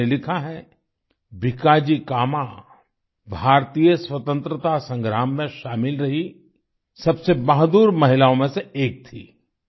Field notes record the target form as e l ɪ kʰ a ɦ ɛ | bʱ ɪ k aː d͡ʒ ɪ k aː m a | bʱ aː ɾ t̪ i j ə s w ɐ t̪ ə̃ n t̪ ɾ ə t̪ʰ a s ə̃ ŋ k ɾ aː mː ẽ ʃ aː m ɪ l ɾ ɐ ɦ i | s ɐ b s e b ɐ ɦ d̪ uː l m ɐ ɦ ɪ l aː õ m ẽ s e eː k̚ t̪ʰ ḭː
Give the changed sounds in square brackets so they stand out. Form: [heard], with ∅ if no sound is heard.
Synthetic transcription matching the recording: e l ɪ kʰ a ɦ ɛ | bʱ ɪ k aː d͡ʒ [i] k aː m a | bʱ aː ɾ t̪ i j ə s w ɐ t̪ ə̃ n t̪ ɾ ə [t̪] a s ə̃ ŋ [ɡ] ɾ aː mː ẽ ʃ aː m ɪ l ɾ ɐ ɦ i | s ɐ b s e b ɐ ɦ d̪ uː [ɾ] m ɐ ɦ ɪ l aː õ m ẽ s e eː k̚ t̪ʰ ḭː